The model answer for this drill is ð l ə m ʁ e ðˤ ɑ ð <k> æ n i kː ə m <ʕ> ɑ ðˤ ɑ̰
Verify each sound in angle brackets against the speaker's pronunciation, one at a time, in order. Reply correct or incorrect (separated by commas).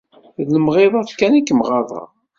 correct, incorrect